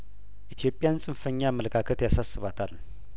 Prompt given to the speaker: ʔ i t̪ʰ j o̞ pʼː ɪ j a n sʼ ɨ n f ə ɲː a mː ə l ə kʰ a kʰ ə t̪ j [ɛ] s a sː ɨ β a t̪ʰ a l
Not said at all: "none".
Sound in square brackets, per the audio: a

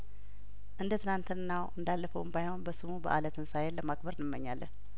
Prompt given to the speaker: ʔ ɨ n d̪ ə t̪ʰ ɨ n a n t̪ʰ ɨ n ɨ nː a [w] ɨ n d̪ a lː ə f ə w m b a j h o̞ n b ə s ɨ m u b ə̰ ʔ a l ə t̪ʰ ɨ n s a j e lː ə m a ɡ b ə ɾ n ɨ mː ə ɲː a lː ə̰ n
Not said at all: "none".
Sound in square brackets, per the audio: w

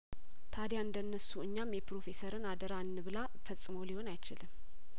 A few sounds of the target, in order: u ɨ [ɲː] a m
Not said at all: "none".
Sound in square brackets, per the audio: ɲː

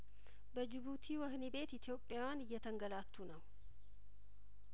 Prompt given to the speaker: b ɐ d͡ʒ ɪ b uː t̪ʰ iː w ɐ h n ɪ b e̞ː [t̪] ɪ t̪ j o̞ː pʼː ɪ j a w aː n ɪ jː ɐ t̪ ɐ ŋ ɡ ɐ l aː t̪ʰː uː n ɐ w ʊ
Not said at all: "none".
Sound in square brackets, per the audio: t̪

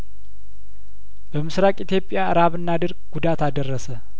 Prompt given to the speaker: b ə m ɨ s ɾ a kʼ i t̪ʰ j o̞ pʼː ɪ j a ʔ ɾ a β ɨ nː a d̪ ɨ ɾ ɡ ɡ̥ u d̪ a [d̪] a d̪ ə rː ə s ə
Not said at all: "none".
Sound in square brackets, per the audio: t̪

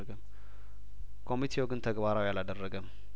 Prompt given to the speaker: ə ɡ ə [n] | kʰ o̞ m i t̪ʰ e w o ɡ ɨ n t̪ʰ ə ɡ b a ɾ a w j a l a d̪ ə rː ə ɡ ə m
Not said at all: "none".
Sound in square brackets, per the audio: m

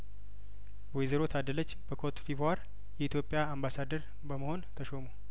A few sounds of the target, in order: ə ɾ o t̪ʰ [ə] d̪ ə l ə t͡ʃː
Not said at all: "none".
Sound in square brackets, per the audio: a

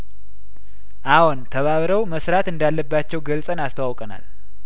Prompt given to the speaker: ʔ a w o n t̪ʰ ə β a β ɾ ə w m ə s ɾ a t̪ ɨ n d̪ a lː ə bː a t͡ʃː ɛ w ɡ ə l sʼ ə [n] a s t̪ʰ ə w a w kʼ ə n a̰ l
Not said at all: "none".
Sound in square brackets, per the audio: n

